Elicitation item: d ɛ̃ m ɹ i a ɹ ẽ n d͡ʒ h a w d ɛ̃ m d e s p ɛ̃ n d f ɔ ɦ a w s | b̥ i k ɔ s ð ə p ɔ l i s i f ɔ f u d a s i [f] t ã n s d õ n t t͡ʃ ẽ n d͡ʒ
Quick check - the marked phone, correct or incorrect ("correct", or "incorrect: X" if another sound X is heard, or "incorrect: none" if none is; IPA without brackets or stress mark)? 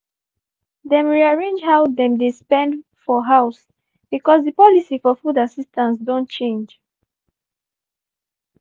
incorrect: s